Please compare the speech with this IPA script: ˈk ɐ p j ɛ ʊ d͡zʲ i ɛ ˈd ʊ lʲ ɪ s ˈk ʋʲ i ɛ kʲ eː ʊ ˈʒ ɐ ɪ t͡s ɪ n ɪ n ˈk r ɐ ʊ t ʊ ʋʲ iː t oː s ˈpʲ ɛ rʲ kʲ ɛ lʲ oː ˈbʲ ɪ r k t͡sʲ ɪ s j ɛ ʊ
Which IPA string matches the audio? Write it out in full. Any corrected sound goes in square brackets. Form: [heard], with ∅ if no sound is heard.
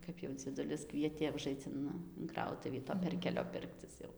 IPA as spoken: ˈk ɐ p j ɛ ʊ d͡zʲ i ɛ ˈd ʊ lʲ ɪ s ˈk ʋʲ i ɛ [tʲ] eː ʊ ˈʒ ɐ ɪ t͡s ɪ n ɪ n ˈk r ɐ ʊ t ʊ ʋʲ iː t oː [∅] ˈpʲ ɛ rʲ kʲ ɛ lʲ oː [ˈpʲ] ɪ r k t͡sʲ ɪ s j ɛ ʊ

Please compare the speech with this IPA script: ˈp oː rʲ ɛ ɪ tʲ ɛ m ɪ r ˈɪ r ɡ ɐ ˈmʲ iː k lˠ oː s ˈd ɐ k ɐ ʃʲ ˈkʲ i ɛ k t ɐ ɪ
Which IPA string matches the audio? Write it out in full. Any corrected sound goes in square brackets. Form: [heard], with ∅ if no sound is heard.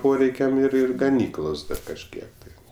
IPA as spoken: ˈp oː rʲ ɛ ɪ [kʲ] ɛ m ɪ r ˈɪ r ɡ ɐ [ˈnʲ] iː k lˠ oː s ˈd ɐ k ɐ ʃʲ ˈkʲ i ɛ k t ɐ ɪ

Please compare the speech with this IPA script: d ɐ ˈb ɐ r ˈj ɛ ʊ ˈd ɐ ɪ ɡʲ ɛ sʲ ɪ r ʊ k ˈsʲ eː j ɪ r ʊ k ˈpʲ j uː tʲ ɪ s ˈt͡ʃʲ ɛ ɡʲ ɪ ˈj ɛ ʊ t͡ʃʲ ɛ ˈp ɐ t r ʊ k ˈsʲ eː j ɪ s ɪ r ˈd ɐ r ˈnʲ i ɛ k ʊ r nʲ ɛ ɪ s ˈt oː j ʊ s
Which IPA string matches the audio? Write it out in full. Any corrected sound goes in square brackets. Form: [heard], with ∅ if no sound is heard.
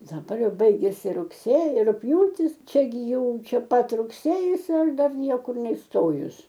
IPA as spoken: d ɐ ˈb ɐ r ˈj ɛ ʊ [ˈb] ɐ ɪ ɡʲ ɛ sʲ ɪ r ʊ k ˈsʲ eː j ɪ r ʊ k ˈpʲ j uː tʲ ɪ s ˈt͡ʃʲ ɛ ɡʲ ɪ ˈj ɛ ʊ t͡ʃʲ ɛ ˈp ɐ t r ʊ k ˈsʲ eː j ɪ s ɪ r ˈd ɐ r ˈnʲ i ɛ k ʊ r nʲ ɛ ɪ s ˈt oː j ʊ s

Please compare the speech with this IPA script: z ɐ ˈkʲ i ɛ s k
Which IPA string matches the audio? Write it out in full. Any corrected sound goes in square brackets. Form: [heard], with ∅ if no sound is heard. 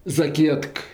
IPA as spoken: z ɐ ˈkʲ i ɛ [t] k

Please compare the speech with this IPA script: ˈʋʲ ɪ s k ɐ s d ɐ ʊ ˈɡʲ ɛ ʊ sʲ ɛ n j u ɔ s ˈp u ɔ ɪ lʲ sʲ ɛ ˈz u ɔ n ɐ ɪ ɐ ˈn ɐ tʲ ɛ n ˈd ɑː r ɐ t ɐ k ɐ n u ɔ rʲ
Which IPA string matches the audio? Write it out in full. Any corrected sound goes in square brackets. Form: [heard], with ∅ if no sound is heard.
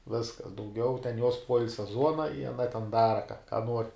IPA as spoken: ˈʋʲ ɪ s k ɐ s d ɐ ʊ ˈɡʲ ɛ ʊ [tʲ] ɛ n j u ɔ s ˈp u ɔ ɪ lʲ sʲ ɛ ˈz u ɔ n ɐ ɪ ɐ ˈn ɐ tʲ ɛ n ˈd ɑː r ɐ [k] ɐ k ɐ n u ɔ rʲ

